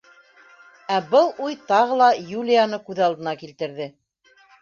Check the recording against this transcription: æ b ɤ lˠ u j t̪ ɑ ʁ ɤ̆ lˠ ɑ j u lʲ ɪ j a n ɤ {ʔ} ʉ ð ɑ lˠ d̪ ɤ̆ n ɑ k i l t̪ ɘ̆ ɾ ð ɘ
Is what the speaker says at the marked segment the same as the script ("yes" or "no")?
no